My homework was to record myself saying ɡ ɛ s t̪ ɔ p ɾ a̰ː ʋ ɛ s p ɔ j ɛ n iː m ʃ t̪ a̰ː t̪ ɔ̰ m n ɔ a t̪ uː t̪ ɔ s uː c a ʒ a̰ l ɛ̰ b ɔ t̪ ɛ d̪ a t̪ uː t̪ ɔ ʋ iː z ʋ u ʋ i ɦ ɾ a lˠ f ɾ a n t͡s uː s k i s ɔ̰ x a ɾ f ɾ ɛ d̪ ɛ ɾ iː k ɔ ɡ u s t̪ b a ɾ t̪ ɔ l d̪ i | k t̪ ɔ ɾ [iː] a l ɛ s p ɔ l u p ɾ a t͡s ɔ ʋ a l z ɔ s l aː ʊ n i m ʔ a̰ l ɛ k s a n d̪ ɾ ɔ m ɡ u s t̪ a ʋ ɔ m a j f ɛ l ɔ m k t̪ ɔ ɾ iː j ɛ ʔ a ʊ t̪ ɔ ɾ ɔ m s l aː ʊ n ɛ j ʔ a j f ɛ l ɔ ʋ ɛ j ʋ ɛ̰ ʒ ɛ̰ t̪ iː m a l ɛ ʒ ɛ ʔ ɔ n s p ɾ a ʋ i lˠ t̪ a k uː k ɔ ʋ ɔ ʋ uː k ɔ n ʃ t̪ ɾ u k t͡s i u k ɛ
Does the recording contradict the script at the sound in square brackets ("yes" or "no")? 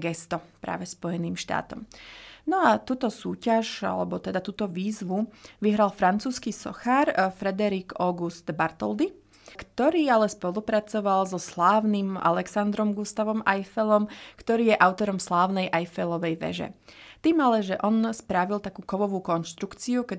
no